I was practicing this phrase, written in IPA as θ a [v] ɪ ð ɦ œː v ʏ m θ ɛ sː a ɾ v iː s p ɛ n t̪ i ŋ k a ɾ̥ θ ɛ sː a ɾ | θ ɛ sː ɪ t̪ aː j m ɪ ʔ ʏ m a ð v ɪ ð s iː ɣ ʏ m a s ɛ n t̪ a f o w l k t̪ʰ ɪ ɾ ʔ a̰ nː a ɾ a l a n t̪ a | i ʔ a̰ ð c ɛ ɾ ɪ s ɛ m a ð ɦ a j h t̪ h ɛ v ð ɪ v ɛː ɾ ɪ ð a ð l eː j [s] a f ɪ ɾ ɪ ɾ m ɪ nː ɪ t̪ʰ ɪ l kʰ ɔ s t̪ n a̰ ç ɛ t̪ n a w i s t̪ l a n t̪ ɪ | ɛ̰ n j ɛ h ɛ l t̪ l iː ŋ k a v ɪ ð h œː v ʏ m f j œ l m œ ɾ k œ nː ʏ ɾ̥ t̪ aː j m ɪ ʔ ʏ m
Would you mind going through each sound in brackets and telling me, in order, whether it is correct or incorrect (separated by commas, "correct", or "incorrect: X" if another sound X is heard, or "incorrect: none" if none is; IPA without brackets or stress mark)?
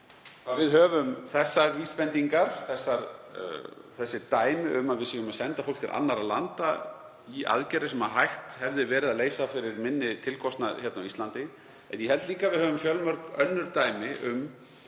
correct, correct